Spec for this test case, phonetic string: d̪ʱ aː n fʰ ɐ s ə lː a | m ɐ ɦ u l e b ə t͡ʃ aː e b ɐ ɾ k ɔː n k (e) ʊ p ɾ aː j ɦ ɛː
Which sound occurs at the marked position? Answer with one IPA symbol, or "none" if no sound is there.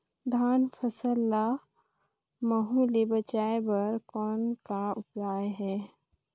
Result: a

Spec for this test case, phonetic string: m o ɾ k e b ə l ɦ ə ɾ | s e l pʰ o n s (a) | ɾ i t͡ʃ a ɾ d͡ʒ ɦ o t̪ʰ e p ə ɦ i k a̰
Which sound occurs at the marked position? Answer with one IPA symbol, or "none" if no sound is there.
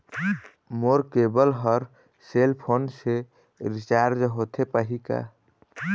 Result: e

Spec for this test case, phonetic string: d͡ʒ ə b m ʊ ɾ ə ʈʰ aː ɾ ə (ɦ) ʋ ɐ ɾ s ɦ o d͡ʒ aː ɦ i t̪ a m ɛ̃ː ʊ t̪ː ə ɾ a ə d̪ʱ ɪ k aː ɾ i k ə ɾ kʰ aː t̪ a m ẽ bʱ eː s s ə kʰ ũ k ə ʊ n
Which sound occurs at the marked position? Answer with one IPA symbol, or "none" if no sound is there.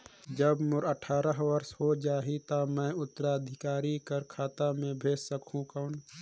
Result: ɦ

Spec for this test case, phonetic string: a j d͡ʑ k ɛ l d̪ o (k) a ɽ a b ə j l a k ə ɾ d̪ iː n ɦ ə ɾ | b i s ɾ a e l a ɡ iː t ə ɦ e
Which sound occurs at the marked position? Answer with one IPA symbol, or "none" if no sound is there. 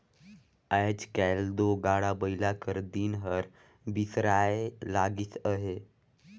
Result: ɡ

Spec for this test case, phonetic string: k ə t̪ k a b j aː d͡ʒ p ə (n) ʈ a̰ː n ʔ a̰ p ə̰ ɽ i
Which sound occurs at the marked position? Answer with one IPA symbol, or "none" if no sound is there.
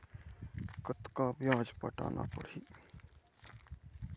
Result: none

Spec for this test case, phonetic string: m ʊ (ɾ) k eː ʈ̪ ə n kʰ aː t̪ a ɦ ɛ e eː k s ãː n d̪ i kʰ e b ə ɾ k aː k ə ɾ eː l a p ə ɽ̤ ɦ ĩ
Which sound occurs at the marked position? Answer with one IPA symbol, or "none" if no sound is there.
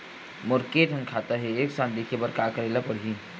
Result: ɾ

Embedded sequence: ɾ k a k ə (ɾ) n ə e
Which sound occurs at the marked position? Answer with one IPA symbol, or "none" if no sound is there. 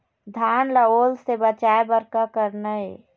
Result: ɾ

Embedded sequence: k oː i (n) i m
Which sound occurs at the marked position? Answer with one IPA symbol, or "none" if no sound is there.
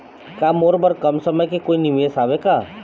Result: n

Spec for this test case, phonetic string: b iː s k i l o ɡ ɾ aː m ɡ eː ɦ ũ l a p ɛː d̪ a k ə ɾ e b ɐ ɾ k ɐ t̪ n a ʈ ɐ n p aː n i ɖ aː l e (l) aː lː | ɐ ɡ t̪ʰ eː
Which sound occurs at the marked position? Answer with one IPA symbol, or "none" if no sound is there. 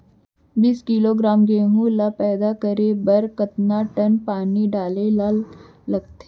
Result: l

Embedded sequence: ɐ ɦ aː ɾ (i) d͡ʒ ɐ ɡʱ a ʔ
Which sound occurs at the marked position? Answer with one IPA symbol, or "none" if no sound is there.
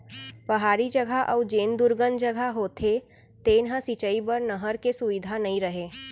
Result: i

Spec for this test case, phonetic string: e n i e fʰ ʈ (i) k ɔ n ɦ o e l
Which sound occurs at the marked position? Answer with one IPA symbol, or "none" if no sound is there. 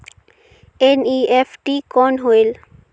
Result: i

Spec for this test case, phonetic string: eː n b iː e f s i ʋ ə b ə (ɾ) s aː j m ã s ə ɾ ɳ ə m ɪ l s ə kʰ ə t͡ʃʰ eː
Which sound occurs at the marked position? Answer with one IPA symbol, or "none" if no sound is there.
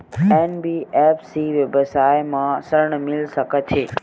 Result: none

